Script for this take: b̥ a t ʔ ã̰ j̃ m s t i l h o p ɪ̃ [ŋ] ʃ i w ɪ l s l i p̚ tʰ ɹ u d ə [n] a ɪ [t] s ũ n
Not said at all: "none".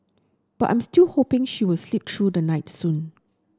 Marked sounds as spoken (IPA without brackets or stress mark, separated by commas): ŋ, n, t